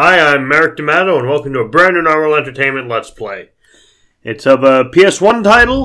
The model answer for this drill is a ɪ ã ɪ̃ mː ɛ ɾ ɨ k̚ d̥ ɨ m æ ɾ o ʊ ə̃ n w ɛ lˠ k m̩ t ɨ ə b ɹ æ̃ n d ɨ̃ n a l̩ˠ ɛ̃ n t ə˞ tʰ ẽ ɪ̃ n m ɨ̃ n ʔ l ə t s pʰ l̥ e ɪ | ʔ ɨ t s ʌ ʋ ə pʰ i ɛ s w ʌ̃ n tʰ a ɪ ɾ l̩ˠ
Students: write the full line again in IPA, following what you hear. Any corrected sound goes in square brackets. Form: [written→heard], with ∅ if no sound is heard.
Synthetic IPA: a ɪ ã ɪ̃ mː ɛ [ɾ→ɹ] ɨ k̚ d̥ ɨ m æ ɾ o ʊ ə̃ n w ɛ lˠ k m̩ t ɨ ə b ɹ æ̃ n d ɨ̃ n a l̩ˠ ɛ̃ n t ə˞ tʰ ẽ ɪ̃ n m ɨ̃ n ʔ l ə t s pʰ l̥ e ɪ | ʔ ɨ t s ʌ [ʋ→v] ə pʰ i ɛ s w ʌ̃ n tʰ a ɪ ɾ l̩ˠ